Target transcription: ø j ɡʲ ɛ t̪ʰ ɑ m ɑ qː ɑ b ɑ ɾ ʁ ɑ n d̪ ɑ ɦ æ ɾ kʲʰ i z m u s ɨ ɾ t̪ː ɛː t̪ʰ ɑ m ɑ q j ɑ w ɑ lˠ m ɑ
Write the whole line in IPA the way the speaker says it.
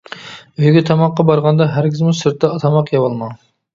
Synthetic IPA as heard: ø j ɡʲ ɛ t̪ʰ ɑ m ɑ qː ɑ b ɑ ɾ ʁ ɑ n d̪ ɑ ɦ æ ɾ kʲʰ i z m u s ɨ ɾ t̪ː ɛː t̪ʰ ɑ m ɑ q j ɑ w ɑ lˠ m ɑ

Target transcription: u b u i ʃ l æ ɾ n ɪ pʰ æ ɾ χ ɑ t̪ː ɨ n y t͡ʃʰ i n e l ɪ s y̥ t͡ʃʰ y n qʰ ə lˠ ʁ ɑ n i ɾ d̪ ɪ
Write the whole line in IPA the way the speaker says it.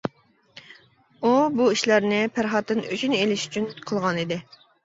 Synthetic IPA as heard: u b u i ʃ l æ ɾ n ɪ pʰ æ ɾ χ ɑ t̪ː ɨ n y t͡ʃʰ y n e l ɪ ʃ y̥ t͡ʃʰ y n qʰ ə lˠ ʁ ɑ n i d̪ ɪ

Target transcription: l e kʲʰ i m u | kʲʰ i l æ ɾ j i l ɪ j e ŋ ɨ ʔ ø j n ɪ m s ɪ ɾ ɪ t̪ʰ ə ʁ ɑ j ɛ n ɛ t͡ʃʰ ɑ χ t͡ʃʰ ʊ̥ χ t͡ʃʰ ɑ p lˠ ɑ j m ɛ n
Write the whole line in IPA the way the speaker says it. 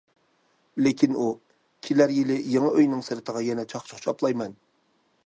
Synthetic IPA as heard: l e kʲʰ i n u | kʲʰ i l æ ɾ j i l ɪ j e ŋ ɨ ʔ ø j n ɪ ŋ s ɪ ɾ ɪ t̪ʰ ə ʁ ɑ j ɛ n ɛ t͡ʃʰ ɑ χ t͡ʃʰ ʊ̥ χ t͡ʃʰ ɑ p lˠ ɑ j m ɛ n

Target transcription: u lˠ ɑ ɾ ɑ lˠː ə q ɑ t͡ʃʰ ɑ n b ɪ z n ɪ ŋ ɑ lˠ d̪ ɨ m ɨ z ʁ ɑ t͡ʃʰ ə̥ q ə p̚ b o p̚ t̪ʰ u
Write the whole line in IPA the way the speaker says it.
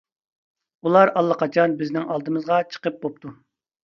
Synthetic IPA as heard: u lˠ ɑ ɾ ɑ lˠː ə q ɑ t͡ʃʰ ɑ n b ɪ z n ɪ ŋ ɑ lˠ d̪ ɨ m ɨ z ʁ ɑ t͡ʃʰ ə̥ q ə p̚ b o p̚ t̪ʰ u

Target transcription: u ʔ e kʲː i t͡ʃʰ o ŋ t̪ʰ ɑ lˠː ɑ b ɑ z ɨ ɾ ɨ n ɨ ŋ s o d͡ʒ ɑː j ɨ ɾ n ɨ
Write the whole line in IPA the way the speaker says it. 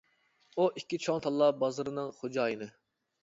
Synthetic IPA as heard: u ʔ i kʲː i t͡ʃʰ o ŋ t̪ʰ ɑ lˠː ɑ b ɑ z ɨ ɾ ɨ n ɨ ŋ χ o d͡ʒ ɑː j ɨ n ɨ

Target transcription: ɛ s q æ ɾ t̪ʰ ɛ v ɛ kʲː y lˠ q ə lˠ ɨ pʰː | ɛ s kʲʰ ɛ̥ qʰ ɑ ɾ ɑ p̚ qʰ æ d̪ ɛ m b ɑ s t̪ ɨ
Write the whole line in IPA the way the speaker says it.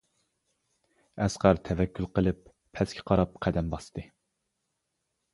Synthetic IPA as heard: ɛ s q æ ɾ t̪ʰ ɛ v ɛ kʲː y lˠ q ə lˠ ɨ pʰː | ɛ s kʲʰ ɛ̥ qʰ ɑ ɾ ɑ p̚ qʰ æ d̪ ɛ m b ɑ s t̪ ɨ

